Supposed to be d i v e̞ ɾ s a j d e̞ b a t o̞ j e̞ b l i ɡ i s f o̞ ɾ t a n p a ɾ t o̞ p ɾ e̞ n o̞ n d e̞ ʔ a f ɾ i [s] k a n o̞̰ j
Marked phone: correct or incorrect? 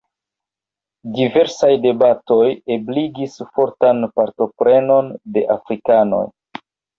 incorrect